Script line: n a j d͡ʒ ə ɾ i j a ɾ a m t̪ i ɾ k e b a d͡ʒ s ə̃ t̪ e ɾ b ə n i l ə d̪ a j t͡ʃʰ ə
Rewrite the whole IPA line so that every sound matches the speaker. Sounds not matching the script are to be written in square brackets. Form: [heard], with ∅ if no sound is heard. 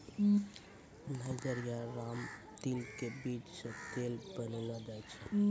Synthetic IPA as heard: n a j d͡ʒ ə ɾ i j a ɾ a m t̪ i [l] k e b [i] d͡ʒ s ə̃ t̪ e [l] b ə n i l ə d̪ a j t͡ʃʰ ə